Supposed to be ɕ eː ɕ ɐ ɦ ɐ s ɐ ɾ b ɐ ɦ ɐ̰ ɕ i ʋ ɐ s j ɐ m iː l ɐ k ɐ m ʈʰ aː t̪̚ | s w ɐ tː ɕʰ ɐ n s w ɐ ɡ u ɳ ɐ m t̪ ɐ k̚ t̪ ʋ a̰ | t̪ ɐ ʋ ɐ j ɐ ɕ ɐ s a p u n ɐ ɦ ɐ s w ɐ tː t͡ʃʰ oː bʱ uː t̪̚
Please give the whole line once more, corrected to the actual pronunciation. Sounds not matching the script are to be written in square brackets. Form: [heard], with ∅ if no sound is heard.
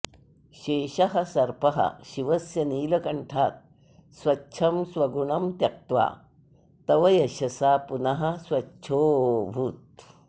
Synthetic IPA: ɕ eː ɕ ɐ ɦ ɐ s ɐ ɾ [p] ɐ ɦ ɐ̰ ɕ i ʋ ɐ s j ɐ [n] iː l ɐ k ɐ [ɳ] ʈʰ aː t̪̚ | s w ɐ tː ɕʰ ɐ [m] s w ɐ ɡ u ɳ ɐ m t̪ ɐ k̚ t̪ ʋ a̰ | t̪ ɐ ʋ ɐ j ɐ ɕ ɐ s a p u n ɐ ɦ ɐ s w ɐ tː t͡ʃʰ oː bʱ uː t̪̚